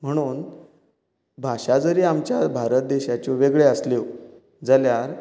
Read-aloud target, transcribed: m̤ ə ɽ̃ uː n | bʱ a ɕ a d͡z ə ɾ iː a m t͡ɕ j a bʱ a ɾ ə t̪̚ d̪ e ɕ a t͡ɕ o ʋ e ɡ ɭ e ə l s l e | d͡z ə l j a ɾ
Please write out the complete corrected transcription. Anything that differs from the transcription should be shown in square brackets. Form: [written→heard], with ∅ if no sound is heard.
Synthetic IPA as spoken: m̤ ə ɽ̃ uː n | bʱ a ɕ a d͡z ə ɾ iː a m t͡ɕ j a bʱ a ɾ ə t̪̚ d̪ e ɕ a t͡ɕ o ʋ e ɡ ɭ e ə [l→∅] s l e | d͡z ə l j a ɾ